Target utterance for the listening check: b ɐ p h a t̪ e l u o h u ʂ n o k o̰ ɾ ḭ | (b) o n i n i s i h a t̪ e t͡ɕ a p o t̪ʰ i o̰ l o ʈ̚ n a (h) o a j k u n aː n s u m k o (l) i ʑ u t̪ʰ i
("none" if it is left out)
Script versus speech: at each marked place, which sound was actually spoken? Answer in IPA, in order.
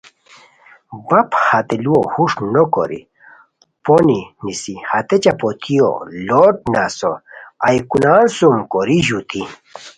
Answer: p, s, ɾ

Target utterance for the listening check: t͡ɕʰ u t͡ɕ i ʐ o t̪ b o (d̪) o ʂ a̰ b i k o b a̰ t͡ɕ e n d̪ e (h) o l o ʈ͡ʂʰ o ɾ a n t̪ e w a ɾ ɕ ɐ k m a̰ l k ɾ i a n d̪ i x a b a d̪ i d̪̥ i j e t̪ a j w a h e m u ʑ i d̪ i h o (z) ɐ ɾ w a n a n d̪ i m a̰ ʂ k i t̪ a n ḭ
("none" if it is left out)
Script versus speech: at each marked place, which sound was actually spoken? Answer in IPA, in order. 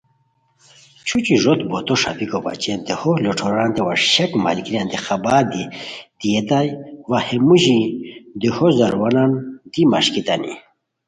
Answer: t̪, h, z

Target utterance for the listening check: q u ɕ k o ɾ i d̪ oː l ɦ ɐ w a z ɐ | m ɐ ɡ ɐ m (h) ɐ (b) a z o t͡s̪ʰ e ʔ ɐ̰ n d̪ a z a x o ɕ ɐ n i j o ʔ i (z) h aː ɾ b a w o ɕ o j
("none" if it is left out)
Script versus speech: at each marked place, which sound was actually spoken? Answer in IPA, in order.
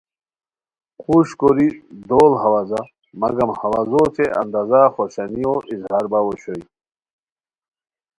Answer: h, w, z

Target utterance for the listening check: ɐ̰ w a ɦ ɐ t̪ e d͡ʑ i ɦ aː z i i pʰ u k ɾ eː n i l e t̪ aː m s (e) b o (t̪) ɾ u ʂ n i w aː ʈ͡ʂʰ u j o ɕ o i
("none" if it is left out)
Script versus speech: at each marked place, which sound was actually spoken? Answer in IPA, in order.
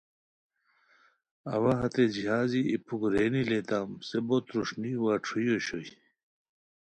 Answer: e, t̪

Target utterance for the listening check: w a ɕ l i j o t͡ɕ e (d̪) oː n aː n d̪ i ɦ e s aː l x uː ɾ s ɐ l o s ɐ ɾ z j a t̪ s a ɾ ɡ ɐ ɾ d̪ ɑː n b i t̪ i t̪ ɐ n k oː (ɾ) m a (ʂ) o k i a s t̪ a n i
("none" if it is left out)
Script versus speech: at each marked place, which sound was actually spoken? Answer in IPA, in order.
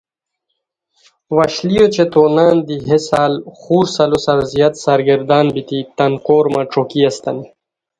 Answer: t̪, ɾ, ʈ͡ʂ

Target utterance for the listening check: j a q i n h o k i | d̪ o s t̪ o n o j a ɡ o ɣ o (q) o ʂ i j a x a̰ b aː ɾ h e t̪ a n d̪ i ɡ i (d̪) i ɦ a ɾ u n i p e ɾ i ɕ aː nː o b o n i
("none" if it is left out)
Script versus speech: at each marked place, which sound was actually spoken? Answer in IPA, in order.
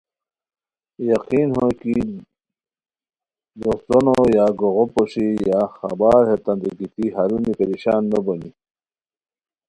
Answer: p, t̪

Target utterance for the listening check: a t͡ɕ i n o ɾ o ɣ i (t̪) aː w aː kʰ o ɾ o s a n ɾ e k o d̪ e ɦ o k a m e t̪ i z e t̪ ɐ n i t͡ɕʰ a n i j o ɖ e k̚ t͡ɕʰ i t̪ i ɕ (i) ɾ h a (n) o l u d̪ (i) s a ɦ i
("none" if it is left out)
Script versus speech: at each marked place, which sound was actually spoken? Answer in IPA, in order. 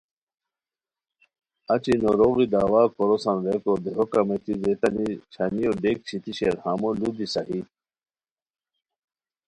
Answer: d̪, e, m, i

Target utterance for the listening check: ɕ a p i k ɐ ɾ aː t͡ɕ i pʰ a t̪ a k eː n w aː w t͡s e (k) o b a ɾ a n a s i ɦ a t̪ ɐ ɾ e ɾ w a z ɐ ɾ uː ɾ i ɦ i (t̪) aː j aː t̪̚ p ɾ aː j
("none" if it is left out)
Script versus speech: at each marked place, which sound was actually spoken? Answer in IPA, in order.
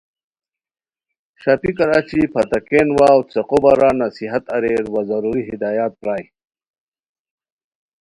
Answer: q, d̪

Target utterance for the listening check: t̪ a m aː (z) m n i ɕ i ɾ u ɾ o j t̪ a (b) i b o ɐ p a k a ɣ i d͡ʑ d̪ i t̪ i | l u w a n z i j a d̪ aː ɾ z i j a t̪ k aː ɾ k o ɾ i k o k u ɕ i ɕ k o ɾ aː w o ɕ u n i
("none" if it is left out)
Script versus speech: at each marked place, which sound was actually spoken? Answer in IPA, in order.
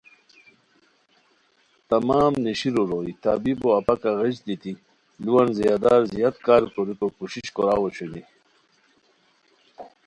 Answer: none, b

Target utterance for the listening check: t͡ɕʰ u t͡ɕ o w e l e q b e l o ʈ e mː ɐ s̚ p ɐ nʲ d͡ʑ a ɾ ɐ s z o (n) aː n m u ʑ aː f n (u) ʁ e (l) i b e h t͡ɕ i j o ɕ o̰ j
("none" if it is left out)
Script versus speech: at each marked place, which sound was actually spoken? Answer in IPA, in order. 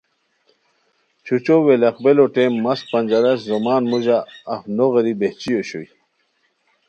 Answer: m, o, ɾ

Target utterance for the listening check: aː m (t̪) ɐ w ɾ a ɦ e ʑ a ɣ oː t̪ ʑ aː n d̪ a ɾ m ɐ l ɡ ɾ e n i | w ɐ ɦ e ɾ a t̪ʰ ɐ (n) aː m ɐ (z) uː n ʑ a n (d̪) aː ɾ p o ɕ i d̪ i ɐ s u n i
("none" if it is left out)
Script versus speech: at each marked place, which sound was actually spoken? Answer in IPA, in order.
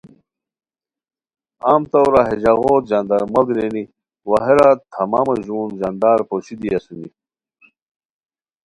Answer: t̪, m, ʑ, d̪

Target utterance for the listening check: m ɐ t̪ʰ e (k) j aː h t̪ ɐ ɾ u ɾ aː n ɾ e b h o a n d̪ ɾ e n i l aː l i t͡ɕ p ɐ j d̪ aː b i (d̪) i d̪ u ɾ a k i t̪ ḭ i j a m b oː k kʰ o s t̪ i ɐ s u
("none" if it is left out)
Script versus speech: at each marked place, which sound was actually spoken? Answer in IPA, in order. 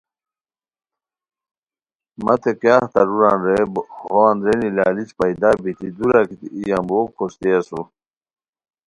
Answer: k, t̪

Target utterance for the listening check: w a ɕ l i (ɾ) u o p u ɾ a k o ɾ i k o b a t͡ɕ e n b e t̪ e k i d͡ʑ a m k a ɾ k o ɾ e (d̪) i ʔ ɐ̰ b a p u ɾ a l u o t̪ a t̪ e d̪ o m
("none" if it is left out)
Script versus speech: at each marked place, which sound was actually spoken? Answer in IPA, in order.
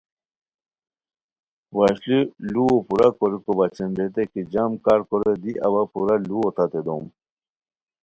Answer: l, d̪

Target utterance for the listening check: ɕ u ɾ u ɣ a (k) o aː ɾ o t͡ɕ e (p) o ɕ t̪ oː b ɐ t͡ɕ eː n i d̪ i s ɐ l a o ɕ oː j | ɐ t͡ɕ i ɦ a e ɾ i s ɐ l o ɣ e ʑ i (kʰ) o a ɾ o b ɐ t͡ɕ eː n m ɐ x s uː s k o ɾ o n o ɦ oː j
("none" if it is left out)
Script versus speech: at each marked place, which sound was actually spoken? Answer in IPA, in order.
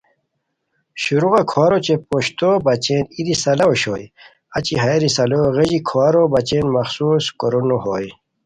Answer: kʰ, p, kʰ

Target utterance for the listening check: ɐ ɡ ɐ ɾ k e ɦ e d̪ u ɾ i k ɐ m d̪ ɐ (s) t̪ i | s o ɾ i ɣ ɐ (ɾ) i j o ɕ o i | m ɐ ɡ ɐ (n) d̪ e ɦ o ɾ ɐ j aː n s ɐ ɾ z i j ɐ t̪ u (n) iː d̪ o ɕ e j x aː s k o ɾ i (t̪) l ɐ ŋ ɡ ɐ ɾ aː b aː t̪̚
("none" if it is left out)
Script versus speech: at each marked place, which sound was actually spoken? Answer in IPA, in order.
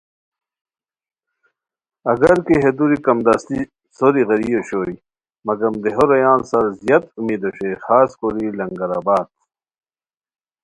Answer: s, ɾ, m, m, none

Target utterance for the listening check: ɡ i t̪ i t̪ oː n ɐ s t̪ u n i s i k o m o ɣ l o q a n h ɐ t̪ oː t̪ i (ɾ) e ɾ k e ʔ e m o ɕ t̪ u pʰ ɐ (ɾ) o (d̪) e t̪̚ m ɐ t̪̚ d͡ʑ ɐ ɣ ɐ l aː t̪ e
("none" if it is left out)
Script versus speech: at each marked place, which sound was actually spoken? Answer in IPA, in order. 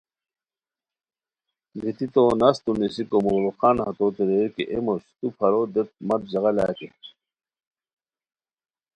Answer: ɾ, ɾ, d̪

